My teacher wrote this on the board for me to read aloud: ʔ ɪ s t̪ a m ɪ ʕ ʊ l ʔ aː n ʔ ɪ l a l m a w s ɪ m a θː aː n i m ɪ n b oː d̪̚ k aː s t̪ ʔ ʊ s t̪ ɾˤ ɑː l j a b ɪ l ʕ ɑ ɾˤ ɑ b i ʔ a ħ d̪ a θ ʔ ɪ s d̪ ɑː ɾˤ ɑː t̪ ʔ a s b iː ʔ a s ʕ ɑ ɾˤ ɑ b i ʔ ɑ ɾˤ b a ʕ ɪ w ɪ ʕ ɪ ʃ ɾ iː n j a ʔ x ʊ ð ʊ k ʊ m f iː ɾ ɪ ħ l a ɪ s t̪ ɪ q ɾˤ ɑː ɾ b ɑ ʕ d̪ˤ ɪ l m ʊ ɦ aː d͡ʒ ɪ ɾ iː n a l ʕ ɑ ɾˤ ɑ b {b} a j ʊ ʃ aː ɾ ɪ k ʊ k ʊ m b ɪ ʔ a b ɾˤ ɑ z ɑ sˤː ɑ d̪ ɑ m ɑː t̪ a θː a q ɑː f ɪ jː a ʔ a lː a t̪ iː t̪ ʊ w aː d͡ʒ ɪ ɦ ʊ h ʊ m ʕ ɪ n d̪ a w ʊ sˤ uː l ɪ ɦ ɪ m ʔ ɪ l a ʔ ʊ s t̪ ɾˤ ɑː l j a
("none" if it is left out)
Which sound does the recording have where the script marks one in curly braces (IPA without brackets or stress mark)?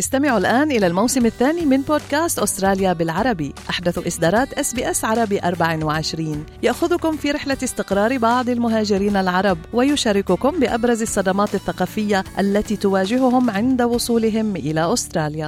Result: w